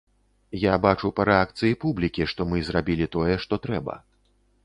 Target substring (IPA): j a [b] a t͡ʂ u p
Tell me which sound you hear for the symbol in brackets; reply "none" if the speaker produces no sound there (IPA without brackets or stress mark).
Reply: b